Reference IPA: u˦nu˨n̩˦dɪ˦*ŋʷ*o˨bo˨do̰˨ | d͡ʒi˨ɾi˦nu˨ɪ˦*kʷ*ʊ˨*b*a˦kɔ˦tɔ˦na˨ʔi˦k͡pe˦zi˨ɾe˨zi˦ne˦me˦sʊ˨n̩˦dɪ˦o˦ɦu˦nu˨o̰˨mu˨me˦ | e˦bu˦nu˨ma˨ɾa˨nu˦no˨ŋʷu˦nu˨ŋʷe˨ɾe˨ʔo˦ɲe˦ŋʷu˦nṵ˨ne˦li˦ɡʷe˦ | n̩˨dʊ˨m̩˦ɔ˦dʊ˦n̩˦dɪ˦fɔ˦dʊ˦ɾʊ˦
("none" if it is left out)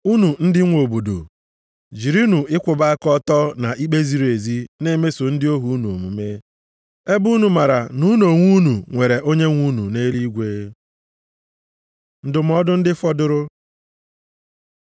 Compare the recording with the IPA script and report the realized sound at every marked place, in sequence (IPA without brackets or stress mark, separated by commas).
ŋʷ, kʷ, b